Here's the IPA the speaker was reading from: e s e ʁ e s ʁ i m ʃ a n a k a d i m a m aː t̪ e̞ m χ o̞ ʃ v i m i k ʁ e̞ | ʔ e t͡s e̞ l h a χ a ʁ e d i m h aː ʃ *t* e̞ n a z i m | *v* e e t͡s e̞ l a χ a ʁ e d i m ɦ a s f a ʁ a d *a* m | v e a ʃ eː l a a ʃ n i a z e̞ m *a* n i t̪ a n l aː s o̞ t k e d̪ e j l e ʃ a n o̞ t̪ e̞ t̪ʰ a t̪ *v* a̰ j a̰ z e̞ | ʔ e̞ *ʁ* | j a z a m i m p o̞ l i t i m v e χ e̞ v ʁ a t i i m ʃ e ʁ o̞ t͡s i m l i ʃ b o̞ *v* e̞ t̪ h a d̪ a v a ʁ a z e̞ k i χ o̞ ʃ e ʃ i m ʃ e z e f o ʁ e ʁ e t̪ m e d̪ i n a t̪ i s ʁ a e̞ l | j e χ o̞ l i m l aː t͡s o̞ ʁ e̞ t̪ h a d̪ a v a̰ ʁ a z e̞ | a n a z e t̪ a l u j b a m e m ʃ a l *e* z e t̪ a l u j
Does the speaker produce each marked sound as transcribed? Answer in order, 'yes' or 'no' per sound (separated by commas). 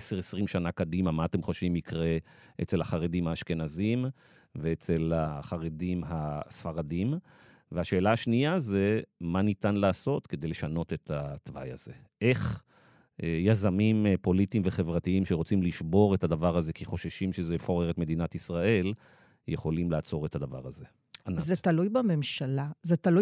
no, yes, no, yes, yes, no, no, no